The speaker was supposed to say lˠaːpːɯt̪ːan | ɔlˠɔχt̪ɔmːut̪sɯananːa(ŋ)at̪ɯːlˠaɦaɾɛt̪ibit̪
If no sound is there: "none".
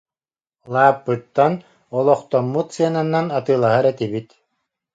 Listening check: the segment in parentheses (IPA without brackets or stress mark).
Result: n